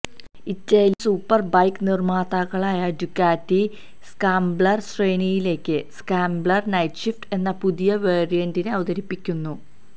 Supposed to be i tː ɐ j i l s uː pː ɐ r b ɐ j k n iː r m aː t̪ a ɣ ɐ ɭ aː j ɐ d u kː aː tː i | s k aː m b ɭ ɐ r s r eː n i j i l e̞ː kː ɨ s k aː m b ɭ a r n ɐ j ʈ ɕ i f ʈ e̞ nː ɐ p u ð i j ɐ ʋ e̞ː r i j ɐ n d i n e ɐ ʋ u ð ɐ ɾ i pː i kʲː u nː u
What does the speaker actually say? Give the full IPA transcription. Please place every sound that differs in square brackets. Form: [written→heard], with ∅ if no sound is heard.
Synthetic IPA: i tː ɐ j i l s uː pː ɐ r b ɐ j k n [iː→i] r m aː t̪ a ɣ ɐ ɭ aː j ɐ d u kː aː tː i | s k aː m b ɭ ɐ r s r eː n i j i l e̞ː kː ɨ s k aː m b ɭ [a→ɐ] r n ɐ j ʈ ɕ i f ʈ e̞ nː ɐ p u ð i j ɐ ʋ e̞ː r i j ɐ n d i n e ɐ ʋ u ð ɐ ɾ i pː i kʲː u nː u